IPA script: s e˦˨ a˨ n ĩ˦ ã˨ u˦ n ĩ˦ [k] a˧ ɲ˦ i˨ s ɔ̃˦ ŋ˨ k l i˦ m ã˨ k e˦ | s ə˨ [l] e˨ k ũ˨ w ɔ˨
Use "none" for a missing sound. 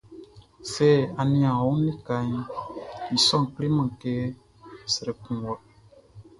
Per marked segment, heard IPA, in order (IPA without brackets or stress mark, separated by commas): k, ɾ